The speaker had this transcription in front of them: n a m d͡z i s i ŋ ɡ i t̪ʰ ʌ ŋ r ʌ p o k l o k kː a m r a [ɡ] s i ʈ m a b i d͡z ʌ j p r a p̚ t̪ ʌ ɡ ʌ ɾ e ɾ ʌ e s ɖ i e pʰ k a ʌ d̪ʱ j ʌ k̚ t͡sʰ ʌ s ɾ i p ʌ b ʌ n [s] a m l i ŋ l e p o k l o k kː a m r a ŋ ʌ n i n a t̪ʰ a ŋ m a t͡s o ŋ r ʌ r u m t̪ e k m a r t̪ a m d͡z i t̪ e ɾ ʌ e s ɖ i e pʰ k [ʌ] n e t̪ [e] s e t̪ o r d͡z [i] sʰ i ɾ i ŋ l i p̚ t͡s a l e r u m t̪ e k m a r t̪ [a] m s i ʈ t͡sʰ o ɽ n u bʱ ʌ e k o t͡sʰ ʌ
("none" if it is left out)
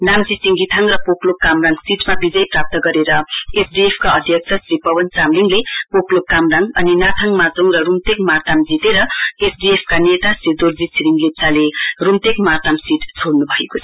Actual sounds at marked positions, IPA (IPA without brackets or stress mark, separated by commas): ŋ, t͡s, a, a, i, a